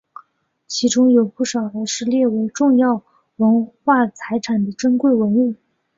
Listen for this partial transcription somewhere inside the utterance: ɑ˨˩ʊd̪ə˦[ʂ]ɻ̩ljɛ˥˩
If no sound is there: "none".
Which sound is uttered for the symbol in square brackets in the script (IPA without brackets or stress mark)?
ʂ